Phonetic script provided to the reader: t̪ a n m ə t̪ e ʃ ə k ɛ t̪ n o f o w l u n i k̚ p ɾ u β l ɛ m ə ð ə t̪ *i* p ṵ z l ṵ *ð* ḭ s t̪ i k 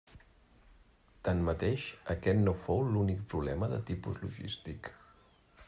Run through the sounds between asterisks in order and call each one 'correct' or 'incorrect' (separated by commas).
correct, incorrect